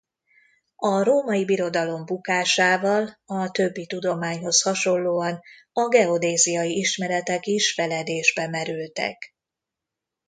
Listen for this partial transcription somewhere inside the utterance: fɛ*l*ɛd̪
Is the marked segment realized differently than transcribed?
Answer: no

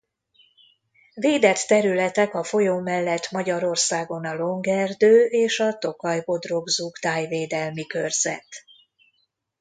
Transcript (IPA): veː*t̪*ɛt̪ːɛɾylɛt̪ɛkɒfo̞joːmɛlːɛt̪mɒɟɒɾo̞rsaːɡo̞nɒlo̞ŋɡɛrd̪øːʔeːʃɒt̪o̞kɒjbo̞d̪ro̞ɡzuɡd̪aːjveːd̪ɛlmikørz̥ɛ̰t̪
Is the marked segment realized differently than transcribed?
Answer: yes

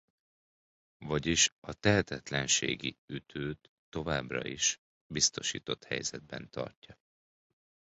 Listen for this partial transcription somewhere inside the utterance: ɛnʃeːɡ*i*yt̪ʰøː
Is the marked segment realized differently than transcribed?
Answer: no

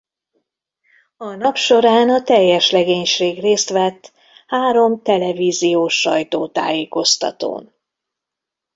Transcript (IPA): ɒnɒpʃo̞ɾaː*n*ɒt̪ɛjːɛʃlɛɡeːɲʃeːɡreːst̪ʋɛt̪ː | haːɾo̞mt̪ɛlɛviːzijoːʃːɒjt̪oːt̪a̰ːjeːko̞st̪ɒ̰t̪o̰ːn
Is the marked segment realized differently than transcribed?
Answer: no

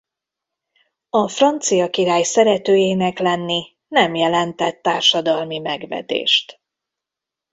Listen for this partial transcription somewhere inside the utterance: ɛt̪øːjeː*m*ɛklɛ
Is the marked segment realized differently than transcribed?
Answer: yes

